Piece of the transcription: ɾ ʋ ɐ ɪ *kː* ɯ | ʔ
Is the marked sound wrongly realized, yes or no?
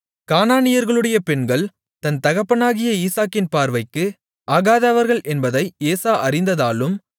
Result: no